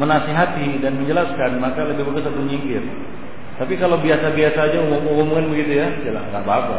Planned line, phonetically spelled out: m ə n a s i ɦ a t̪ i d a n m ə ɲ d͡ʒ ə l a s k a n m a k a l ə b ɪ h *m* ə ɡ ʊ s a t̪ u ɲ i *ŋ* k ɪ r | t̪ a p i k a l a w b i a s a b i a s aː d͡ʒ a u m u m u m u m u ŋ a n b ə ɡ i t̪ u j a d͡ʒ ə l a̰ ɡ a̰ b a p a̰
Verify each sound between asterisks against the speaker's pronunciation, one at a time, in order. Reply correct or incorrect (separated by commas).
incorrect, correct